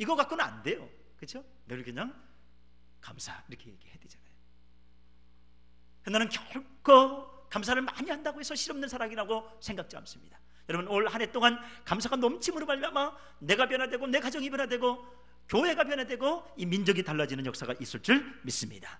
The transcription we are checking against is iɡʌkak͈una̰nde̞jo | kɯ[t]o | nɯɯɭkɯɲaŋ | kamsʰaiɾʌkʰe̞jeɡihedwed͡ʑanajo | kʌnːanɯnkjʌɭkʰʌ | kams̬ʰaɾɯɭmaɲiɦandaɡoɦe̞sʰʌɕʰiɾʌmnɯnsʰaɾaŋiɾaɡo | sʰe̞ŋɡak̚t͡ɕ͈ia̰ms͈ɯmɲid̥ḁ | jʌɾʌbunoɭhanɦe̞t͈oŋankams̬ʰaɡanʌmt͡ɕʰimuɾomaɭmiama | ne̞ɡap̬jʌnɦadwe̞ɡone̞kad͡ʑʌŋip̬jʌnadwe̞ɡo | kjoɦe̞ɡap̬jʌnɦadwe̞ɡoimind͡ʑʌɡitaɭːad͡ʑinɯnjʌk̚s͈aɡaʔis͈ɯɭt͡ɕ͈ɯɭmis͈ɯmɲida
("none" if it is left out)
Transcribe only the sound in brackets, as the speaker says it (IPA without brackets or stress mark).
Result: t͡ɕʰ